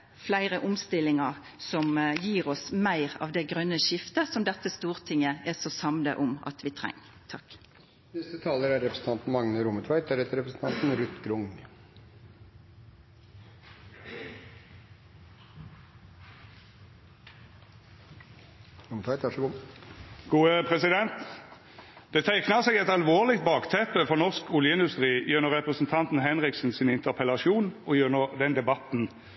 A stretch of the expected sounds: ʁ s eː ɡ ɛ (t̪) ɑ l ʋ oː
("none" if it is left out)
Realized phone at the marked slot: t̪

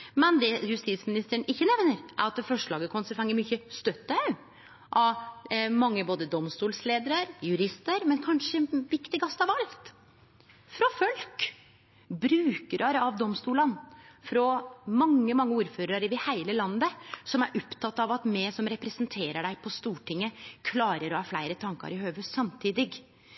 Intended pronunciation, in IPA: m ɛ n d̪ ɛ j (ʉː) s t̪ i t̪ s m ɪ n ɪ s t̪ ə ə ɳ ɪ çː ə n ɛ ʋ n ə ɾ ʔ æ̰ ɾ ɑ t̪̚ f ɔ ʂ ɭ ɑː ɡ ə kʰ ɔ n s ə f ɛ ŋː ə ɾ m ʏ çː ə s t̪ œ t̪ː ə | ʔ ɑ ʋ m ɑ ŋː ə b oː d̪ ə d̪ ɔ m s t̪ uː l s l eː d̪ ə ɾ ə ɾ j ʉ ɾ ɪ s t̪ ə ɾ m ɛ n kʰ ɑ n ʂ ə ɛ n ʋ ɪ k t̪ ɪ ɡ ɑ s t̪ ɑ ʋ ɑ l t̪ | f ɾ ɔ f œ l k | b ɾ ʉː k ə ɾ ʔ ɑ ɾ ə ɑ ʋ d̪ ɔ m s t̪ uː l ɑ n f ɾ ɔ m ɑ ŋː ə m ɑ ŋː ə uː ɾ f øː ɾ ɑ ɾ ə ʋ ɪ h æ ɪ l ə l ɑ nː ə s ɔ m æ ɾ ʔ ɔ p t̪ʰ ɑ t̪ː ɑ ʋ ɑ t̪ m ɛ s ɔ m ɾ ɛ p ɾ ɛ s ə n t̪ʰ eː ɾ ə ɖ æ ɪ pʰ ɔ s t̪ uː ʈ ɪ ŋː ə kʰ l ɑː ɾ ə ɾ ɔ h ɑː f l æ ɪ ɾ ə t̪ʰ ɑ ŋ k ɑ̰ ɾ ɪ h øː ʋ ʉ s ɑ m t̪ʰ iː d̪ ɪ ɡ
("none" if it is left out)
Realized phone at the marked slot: ʉ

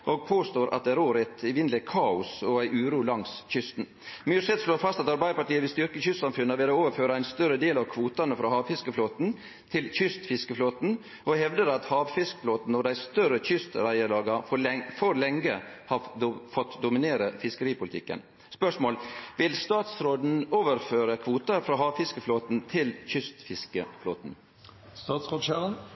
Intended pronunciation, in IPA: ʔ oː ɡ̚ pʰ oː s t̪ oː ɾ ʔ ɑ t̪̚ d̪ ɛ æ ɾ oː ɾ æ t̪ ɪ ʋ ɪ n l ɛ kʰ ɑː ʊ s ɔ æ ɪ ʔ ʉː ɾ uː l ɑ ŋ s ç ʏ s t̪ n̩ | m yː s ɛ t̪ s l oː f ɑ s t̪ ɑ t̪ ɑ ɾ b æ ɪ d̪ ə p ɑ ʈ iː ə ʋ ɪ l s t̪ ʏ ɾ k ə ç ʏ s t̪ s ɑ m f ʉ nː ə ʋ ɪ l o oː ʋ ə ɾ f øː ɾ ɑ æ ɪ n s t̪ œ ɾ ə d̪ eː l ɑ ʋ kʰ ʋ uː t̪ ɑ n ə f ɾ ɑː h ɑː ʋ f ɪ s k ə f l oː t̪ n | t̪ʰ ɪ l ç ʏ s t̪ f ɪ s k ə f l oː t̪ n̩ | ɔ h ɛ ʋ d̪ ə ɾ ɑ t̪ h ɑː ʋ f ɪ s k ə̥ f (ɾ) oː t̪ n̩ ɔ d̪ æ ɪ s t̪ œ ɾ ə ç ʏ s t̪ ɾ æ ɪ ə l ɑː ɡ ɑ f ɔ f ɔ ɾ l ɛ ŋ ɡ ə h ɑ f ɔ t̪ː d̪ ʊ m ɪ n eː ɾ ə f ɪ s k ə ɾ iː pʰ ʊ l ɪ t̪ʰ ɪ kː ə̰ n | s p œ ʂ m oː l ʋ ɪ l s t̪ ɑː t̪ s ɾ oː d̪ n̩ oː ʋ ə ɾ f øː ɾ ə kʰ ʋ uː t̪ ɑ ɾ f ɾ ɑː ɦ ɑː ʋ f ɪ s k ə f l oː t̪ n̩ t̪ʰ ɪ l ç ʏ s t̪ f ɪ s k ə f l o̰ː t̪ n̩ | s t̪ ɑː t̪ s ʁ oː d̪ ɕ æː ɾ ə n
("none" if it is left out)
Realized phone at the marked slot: l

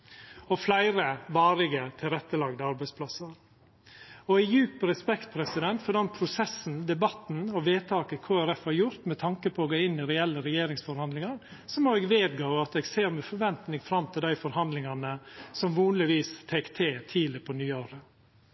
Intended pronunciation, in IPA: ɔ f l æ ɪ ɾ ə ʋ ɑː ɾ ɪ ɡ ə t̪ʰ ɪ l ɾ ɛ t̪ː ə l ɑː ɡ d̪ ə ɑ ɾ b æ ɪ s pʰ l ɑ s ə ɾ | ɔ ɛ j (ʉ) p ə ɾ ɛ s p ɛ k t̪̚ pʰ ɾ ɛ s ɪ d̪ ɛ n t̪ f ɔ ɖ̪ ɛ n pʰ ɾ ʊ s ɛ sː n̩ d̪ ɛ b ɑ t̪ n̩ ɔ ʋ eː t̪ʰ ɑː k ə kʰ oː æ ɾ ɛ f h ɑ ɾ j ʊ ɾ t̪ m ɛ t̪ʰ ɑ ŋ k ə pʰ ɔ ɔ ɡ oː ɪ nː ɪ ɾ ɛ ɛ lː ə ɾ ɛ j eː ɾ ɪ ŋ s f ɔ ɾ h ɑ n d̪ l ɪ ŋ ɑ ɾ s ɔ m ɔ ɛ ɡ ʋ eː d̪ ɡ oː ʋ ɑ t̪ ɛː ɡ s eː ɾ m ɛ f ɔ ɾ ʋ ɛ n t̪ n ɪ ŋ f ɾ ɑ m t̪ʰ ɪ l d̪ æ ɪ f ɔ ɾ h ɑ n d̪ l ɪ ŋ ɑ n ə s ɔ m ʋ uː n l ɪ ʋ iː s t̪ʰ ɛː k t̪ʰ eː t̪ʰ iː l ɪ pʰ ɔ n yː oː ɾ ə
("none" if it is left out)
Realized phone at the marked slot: ʉː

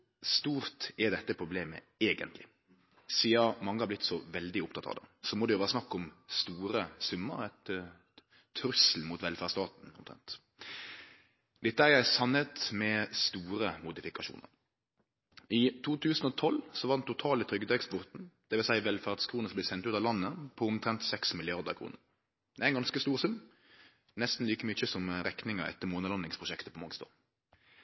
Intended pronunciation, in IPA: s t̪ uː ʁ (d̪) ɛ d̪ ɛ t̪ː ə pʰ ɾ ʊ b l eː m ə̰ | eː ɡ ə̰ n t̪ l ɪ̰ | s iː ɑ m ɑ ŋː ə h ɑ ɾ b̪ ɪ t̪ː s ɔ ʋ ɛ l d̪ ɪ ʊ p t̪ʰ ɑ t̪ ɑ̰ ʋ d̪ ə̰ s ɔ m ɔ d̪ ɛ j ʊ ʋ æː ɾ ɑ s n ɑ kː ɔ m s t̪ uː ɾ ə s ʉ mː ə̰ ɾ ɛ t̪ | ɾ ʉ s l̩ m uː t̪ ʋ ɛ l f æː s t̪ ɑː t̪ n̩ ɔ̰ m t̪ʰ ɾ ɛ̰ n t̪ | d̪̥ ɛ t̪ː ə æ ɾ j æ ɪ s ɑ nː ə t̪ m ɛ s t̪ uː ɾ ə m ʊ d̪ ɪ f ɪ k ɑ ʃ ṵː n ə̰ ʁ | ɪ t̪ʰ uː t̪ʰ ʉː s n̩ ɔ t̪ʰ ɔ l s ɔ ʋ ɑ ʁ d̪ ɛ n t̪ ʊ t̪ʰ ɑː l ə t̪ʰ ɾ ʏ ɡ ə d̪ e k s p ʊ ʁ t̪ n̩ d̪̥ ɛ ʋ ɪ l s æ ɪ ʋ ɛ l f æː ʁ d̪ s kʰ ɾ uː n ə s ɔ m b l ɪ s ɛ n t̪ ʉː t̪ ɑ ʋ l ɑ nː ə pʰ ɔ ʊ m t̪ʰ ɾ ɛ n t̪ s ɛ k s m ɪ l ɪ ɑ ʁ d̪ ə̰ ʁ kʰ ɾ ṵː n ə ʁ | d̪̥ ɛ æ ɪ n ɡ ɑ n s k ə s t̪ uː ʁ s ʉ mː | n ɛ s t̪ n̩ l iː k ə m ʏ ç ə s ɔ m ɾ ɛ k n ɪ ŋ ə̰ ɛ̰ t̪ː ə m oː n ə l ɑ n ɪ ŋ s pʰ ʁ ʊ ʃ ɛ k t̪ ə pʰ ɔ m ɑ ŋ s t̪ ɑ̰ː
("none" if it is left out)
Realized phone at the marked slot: t̪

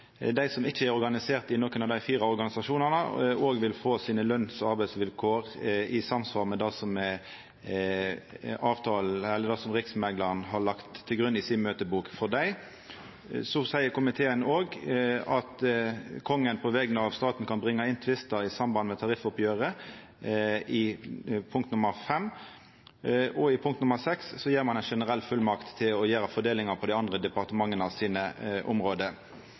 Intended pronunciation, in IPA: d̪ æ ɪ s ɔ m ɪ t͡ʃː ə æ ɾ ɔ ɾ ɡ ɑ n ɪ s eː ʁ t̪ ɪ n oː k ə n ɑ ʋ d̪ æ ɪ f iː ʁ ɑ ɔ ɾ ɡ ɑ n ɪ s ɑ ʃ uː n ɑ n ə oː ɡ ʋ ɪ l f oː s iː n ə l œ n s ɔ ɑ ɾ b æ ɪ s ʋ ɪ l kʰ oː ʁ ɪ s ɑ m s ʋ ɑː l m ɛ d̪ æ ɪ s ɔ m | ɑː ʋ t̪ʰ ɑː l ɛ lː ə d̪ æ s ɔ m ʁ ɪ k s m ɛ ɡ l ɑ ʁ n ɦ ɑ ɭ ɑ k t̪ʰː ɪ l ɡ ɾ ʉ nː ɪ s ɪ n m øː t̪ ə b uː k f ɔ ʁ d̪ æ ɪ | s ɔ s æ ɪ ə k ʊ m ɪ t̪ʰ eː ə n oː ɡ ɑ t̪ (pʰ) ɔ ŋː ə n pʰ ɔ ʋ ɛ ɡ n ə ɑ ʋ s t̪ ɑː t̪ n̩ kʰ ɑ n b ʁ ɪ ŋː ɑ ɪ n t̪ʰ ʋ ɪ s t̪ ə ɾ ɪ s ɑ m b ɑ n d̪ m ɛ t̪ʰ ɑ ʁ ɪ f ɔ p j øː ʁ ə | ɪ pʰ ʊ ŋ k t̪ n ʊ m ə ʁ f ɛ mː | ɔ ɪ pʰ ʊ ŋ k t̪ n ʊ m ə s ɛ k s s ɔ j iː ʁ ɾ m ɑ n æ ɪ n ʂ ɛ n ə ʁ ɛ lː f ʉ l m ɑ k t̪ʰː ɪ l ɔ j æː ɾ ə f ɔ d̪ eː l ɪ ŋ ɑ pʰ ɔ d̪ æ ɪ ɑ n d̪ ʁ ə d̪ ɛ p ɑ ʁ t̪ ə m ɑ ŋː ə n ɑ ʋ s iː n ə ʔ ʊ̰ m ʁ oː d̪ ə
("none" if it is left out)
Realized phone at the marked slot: kʰ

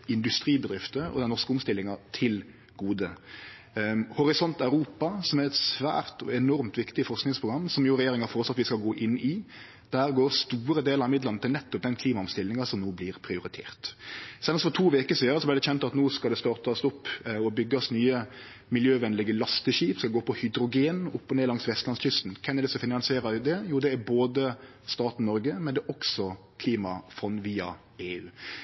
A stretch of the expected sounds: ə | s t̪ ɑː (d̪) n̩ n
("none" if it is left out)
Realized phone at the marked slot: t̪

